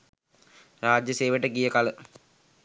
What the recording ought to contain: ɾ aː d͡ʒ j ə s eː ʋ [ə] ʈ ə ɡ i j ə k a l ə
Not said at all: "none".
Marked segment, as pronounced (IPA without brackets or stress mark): ə